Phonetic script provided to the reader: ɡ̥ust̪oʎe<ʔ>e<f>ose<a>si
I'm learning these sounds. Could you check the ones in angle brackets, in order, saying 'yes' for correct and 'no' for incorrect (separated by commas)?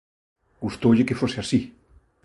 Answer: no, yes, yes